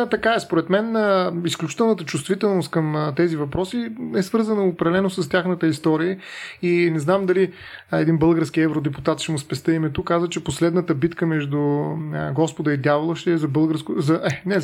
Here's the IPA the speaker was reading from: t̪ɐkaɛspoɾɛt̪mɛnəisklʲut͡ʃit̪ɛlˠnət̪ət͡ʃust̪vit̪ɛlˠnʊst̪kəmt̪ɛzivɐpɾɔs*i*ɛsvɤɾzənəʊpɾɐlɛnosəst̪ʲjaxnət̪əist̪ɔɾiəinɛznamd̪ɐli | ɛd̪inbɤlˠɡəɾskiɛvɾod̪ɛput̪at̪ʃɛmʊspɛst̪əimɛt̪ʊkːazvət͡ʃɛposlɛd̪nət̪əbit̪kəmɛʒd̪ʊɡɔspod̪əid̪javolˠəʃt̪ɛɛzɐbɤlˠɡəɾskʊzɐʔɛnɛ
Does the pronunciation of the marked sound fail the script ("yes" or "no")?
no